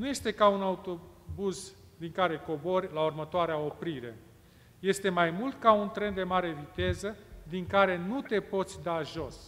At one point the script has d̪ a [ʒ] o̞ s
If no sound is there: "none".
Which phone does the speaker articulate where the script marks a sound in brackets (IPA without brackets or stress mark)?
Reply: ʒ